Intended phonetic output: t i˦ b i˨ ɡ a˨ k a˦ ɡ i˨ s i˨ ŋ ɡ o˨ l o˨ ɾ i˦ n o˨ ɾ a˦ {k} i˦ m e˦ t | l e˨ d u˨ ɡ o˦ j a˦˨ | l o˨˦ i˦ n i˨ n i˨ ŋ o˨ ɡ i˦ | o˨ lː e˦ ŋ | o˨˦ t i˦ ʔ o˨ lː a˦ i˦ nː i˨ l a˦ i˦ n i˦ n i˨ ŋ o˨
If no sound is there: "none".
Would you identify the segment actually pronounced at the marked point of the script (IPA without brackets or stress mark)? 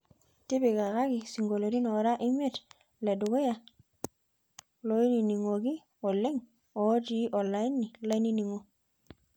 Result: ʔ